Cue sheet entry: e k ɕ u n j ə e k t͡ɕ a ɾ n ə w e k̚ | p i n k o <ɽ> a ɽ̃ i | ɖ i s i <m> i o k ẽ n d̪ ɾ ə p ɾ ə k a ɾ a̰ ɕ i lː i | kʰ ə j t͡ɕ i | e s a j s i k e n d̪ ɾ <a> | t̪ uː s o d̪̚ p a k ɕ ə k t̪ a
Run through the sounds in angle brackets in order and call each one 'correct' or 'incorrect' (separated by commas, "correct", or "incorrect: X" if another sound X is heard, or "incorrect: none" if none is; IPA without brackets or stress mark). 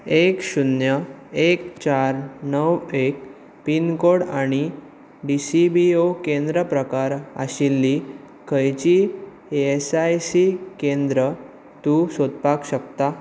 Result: correct, incorrect: b, incorrect: ə